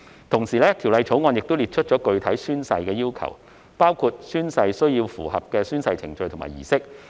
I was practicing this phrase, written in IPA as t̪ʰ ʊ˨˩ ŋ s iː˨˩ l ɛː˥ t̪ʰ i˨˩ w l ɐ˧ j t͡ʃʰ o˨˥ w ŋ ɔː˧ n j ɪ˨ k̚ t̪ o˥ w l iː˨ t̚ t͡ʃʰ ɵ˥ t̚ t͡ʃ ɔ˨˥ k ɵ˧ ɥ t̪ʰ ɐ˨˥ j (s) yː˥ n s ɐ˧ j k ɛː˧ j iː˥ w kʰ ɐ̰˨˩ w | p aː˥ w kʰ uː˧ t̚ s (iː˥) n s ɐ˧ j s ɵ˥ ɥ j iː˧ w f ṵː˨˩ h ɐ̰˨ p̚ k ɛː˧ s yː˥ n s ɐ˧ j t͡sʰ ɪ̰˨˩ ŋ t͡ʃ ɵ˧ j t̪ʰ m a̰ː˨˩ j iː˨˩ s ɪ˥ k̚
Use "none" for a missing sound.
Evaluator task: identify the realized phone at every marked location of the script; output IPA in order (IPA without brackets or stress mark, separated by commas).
s, yː˥